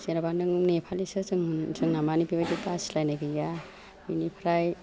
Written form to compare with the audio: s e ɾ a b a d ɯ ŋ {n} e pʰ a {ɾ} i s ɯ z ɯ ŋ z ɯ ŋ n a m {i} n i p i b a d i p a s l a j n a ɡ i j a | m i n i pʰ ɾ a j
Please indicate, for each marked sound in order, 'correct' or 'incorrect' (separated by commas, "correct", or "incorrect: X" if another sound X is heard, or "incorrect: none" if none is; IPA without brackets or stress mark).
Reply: correct, incorrect: l, incorrect: a